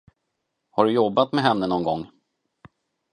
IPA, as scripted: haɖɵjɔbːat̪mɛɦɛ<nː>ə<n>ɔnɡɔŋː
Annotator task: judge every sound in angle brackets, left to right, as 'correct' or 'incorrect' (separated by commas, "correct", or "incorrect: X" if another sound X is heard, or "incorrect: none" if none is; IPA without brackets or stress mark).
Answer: correct, correct